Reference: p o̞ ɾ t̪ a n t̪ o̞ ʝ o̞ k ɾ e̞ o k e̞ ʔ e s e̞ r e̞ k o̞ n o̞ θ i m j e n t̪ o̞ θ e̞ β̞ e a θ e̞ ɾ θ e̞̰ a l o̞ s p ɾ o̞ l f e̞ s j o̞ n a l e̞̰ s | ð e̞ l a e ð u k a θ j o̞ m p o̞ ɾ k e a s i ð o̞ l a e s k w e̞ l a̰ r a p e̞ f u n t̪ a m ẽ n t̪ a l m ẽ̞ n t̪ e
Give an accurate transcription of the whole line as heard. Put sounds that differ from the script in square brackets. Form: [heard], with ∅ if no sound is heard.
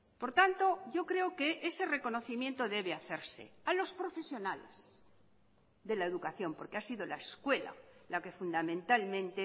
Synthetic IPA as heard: p o̞ ɾ t̪ a n t̪ o̞ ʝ o̞ k ɾ e̞ o k e̞ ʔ e s e̞ r e̞ k o̞ n o̞ θ i m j e n t̪ o̞ [ð] e̞ β̞ e a θ e̞ ɾ [s] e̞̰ a l o̞ s p ɾ o̞ [∅] f e̞ s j o̞ n a l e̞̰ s | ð e̞ l a e ð u k a θ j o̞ m p o̞ ɾ k e a s i ð o̞ l a e s k w e̞ l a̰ [l] a [k] e̞ f u n [d̪] a m ẽ n t̪ a l m ẽ̞ n t̪ e